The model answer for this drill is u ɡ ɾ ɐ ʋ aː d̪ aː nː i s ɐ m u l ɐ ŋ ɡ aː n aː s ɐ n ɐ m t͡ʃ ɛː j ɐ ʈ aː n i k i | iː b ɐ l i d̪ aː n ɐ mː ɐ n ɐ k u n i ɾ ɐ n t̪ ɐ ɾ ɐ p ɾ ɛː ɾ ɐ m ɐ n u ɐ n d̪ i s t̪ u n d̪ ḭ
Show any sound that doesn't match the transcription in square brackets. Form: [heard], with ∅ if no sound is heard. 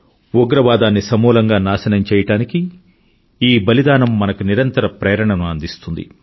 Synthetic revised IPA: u ɡ ɾ ɐ ʋ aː d̪ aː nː i s ɐ m [uː] l ɐ ŋ ɡ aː n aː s ɐ n ɐ m t͡ʃ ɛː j ɐ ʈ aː n i k i | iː b ɐ l i d̪ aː n ɐ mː ɐ n ɐ k u n i ɾ ɐ n t̪ ɐ ɾ ɐ p ɾ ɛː ɾ ɐ [ɳ] ɐ n u ɐ n d̪ i s t̪ u n d̪ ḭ